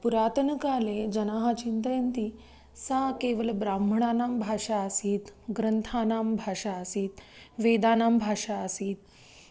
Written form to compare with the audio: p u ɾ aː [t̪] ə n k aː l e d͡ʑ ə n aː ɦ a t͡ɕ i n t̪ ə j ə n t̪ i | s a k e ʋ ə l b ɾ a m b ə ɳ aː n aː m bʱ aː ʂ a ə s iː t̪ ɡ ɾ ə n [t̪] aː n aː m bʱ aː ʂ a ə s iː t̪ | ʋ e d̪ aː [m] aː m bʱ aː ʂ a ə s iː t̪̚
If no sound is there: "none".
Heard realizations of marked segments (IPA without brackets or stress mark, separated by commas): t̪, t̪ʰ, n